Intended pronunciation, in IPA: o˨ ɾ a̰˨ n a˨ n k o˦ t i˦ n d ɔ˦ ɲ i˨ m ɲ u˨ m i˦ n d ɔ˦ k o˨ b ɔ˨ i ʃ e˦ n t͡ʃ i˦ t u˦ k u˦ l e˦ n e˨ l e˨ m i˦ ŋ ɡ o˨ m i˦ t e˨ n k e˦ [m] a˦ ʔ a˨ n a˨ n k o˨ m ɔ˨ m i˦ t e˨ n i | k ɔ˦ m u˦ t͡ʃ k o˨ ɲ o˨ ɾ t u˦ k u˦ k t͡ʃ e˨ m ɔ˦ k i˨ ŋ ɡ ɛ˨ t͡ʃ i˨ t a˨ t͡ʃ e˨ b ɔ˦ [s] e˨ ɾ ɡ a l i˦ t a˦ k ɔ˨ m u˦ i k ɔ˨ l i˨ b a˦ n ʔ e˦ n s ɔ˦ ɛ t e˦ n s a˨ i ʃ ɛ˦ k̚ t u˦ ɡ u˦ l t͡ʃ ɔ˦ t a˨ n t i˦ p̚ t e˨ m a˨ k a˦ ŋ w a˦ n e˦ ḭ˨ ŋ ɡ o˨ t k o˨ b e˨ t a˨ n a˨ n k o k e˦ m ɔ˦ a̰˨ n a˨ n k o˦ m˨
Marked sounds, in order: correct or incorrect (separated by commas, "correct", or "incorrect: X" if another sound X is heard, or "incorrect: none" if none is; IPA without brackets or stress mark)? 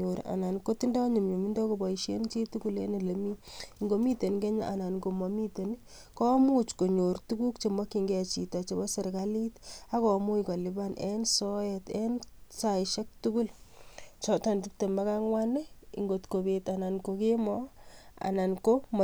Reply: incorrect: ɲ, correct